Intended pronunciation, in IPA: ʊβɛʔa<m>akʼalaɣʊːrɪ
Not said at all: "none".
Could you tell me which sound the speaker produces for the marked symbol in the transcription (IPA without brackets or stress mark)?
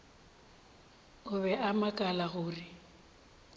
m